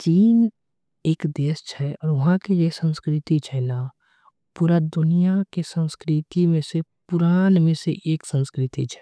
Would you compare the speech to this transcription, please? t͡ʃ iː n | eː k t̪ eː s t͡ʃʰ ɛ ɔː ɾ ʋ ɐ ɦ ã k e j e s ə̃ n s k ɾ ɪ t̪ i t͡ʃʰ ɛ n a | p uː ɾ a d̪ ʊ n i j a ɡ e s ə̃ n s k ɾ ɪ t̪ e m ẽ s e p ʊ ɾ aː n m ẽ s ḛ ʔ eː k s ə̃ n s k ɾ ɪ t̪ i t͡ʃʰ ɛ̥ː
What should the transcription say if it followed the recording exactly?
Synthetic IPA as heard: t͡ʃ iː n | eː k d̪ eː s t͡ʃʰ ɛ ɔː ɾ ʋ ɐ ɦ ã k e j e s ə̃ n s k ɾ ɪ t̪ i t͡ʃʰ ɛ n a | p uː ɾ a d̪ ʊ n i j a k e s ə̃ n s k ɾ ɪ t̪ i m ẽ s e p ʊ ɾ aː n m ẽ s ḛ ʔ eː k s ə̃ n s k ɾ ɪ t̪ i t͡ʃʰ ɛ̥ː